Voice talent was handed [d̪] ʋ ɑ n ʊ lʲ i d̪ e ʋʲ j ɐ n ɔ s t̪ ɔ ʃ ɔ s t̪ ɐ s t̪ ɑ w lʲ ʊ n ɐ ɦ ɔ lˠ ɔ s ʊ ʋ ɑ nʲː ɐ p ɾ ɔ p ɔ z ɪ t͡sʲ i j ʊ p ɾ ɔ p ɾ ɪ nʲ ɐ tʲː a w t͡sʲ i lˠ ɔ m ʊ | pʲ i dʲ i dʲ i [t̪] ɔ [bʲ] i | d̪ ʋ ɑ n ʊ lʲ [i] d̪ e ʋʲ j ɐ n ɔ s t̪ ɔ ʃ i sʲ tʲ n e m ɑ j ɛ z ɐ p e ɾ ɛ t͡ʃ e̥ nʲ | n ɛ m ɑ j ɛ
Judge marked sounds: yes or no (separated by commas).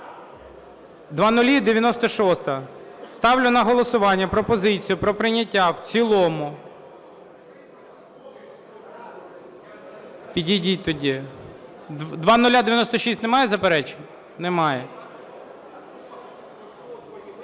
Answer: yes, yes, no, no